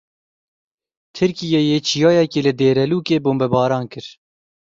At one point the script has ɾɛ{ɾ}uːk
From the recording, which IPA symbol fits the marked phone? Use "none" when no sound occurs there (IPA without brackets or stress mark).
l